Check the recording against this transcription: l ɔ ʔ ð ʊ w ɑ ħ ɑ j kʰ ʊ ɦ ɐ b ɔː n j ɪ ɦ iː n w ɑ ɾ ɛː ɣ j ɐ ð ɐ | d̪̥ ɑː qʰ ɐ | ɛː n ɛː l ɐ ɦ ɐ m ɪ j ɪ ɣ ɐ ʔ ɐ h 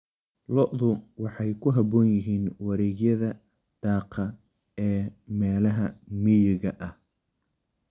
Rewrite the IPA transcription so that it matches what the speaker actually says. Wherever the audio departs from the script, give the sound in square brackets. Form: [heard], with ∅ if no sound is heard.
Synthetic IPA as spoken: l ɔ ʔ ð ʊ w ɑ ħ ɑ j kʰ ʊ ɦ ɐ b ɔː n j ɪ ɦ iː n w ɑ ɾ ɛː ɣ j ɐ ð ɐ | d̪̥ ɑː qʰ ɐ | ɛː [m] ɛː l ɐ ɦ ɐ m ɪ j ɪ ɣ ɐ ʔ ɐ h